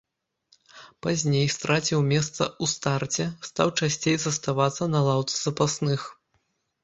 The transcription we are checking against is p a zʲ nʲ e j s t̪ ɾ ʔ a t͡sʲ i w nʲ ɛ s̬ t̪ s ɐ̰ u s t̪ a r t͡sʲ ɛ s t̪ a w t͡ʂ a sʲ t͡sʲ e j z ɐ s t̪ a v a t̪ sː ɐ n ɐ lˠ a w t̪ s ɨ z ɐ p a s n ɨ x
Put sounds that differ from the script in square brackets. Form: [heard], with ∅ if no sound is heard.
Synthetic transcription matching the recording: p a zʲ nʲ e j s t̪ ɾ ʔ a t͡sʲ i w [mʲ] ɛ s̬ t̪ s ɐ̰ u s t̪ a r t͡sʲ ɛ s t̪ a w t͡ʂ a sʲ t͡sʲ e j z ɐ s t̪ a v a t̪ sː ɐ n ɐ lˠ a w t̪ s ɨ z ɐ p a s n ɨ x